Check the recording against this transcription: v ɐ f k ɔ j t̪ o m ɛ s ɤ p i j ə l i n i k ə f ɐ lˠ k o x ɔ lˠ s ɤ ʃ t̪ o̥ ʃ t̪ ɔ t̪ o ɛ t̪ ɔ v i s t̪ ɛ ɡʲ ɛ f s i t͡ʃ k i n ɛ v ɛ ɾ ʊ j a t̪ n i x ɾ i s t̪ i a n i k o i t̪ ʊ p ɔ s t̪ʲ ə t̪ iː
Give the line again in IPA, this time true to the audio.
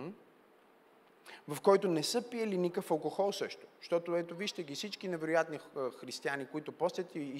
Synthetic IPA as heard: v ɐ f k ɔ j t̪ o n ɛ s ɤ p i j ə l i n i k ə f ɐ lˠ k o x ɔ lˠ s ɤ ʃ t̪ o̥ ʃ t̪ ɔ t̪ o ɛ t̪ o v i ʃ t̪ ɛ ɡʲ i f s i t͡ʃ k i n ɛ v ɛ ɾ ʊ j a t̪ n i x ɾ i s t̪ i a n i k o i t̪ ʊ p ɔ s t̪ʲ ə t̪ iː